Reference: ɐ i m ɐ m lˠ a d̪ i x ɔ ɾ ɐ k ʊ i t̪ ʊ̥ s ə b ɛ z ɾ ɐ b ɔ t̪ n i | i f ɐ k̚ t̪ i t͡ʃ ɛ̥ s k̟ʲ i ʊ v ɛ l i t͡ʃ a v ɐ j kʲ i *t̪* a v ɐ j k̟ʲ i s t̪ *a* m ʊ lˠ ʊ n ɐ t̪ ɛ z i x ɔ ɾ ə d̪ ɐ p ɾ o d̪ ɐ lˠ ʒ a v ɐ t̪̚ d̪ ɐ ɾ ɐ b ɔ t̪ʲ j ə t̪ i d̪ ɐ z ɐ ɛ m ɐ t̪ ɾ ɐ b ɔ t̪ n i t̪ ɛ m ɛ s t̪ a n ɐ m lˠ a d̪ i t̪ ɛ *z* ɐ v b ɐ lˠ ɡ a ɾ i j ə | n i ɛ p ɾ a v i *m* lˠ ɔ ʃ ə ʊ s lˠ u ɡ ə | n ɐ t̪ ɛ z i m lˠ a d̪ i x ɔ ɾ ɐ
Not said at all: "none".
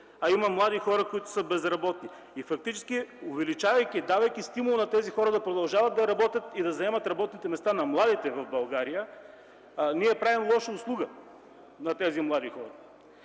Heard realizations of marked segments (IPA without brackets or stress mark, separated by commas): d̪, i, v, m